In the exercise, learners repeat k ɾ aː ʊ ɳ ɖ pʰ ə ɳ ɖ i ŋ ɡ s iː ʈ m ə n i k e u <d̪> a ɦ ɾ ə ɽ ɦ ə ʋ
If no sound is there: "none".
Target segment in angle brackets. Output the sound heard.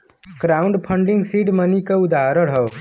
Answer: d̪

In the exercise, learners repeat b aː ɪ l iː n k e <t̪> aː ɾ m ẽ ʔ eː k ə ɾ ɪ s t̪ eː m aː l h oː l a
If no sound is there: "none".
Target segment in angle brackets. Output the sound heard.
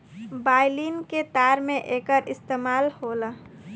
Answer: t̪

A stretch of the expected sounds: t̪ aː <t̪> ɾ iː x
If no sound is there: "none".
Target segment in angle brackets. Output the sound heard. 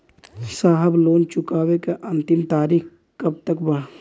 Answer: none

